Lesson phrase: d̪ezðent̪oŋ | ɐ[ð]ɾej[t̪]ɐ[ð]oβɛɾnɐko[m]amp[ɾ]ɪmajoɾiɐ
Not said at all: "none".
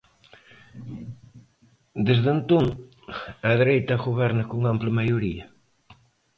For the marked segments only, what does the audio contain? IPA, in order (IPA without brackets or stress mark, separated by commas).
ð, t̪, ɣ, ŋ, l